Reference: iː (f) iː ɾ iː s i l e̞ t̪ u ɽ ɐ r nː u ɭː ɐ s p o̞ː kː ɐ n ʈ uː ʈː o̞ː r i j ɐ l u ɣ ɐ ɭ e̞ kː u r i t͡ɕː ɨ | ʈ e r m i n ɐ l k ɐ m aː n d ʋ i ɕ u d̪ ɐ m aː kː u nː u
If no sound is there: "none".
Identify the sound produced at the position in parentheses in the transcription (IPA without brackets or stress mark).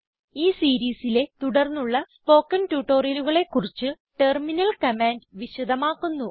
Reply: s